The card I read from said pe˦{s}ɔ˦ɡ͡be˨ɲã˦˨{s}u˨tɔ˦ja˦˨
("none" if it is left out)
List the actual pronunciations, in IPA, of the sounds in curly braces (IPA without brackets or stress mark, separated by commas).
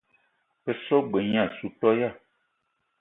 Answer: s, s